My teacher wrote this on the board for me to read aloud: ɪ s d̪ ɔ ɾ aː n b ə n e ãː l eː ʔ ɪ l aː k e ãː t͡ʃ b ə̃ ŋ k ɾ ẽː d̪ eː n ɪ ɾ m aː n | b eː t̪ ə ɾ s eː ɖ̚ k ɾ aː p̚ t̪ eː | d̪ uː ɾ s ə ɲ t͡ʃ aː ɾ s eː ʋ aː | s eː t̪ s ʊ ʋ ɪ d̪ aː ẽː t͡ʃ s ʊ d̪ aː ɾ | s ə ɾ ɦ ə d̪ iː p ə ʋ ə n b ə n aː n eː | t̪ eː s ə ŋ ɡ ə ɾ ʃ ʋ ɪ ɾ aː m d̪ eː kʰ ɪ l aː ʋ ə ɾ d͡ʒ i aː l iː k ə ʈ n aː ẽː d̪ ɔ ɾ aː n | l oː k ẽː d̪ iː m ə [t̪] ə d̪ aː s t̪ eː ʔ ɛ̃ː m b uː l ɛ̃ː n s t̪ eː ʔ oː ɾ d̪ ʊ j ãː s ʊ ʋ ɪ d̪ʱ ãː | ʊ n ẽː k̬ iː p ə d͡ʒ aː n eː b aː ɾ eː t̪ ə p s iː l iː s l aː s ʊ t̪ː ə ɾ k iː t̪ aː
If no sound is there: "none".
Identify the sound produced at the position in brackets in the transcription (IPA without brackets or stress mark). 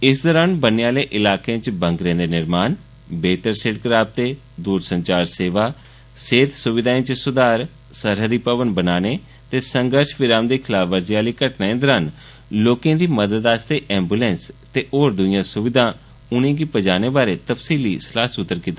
d̪